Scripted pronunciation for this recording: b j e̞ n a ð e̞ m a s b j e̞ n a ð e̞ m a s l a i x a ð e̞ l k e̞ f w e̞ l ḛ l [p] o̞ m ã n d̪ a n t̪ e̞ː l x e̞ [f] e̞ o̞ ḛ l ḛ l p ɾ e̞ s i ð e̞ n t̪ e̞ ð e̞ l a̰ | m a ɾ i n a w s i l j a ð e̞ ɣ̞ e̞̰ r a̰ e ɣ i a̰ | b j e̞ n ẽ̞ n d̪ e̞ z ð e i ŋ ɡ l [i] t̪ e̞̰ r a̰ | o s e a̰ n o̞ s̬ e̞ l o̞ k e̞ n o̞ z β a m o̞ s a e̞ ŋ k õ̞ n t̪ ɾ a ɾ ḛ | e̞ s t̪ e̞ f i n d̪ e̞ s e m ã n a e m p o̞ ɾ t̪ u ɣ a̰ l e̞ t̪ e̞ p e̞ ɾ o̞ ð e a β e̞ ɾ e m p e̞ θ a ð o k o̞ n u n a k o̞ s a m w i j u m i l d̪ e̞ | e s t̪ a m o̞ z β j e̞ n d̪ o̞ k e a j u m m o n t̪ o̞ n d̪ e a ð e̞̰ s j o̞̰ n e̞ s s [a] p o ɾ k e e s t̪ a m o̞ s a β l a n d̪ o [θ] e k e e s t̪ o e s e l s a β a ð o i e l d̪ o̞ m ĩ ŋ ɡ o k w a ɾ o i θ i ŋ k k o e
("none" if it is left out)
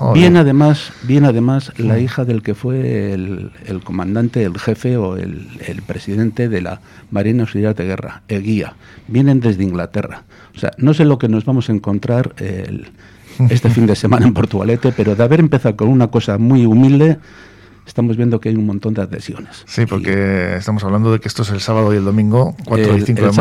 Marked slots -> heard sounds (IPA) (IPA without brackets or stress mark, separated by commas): k, f, a, i, ð